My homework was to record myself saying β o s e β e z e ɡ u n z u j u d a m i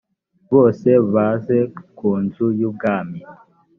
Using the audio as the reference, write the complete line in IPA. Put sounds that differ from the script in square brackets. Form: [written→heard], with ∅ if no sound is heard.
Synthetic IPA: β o s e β [e→a] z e [ɡ→k] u n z u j u [d→ɡ] a m i

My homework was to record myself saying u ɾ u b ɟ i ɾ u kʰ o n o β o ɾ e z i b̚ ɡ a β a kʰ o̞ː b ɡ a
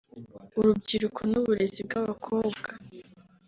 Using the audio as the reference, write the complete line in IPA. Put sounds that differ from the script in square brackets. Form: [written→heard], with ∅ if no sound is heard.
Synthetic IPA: u ɾ u b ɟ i ɾ u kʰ o n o β [o→u] ɾ e z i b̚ ɡ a β a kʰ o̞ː b ɡ a

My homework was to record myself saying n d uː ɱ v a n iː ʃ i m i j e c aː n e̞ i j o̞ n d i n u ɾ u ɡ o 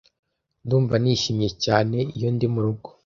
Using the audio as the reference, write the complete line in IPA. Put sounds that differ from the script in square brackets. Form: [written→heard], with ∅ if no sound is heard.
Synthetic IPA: n d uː ɱ v a n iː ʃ i m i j e c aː n e̞ i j o̞ n d i [n→m] u ɾ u ɡ o

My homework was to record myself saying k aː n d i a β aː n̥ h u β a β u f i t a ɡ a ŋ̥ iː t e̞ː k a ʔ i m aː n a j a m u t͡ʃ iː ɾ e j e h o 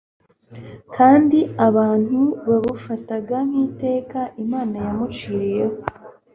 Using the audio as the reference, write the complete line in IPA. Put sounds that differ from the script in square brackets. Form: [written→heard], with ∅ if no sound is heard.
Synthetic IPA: k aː n d i a β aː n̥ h u β a β u f [i→a] t a ɡ a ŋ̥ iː t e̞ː k a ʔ i m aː n a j a m u t͡ʃ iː ɾ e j e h o

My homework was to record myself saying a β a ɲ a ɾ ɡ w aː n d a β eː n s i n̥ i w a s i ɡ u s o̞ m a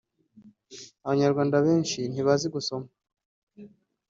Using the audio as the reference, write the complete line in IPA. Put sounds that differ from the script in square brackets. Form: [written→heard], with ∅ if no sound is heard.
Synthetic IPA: a β a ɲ a ɾ ɡ w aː n d a β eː n [s→ʃ] i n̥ i [w→β] a [s→z] i ɡ u s o̞ m a

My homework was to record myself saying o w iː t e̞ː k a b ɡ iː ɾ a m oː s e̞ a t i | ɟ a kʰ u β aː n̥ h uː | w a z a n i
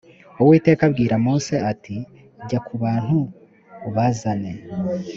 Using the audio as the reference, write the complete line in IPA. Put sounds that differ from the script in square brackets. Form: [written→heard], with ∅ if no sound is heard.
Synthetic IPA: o w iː t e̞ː k a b ɡ iː ɾ a m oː s e̞ a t i | ɟ a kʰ u β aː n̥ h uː | [w→β] a z a n [i→e]

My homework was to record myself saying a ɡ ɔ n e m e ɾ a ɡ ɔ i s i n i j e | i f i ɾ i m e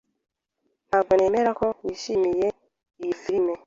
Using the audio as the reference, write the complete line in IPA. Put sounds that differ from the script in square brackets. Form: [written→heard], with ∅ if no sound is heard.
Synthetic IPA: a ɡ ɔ n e m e ɾ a [ɡ→k] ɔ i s i [n→m] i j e | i f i ɾ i m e

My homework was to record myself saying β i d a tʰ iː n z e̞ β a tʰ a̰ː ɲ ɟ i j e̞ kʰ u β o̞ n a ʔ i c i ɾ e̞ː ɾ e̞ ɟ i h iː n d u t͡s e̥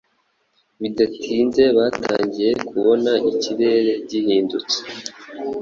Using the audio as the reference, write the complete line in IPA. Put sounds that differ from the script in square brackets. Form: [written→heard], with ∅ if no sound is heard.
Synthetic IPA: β i d a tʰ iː n z e̞ β a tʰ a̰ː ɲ ɟ i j e̞ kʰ u β o̞ n a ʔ i c i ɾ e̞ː ɾ e̞ ɟ i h iː n d u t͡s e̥

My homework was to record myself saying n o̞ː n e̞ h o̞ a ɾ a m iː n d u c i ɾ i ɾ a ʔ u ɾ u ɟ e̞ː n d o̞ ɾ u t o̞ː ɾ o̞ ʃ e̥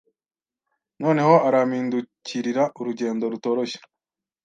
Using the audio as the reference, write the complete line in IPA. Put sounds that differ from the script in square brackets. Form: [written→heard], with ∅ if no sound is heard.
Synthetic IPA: n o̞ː n e̞ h o̞ a ɾ a m iː n d u c i ɾ i ɾ a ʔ u ɾ u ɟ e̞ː n d o̞ ɾ u t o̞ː ɾ o̞ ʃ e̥

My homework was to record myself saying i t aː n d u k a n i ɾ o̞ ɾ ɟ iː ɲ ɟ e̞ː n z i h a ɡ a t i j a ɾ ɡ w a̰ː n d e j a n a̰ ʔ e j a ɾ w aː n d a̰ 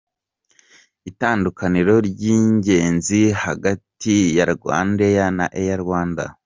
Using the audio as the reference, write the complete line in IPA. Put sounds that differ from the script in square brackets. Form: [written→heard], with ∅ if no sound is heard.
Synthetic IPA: i t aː n d u k a n i ɾ o̞ ɾ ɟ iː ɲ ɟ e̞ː n z i h a ɡ a t i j a ɾ ɡ w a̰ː n d e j a n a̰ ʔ e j a ɾ w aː n d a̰

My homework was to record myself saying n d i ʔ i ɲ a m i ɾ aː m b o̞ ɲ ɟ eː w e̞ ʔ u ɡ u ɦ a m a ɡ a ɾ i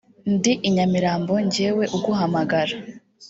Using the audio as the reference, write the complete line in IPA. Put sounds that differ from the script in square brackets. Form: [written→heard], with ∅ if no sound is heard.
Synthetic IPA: n d i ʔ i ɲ a m i ɾ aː m b o̞ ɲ ɟ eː w e̞ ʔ u ɡ u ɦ a m a ɡ a ɾ [i→a]

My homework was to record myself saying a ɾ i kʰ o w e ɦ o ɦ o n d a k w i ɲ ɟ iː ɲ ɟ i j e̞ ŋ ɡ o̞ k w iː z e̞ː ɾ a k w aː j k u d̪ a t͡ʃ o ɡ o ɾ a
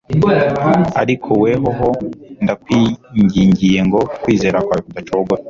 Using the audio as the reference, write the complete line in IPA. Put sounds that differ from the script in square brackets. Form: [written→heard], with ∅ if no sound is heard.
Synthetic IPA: a ɾ i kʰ o w e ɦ o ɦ o n d a k w i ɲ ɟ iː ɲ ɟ i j e̞ ŋ ɡ o̞ k w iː z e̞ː ɾ a k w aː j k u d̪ a t͡ʃ o ɡ o ɾ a

